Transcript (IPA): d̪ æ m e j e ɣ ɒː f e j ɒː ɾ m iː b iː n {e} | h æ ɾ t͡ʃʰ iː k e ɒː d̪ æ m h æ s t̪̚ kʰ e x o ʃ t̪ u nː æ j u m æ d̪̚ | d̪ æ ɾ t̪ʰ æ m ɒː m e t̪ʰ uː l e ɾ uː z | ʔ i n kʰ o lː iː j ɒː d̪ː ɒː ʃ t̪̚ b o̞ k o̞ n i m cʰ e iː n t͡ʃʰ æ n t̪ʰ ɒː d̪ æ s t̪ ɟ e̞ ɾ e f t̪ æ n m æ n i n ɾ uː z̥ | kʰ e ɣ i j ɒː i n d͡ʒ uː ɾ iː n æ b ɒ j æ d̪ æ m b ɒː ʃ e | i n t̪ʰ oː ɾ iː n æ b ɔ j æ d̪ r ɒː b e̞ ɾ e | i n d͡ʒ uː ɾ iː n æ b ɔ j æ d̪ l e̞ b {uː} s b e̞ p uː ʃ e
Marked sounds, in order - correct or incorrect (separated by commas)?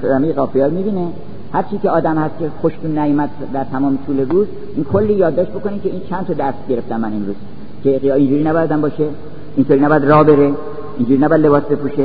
correct, incorrect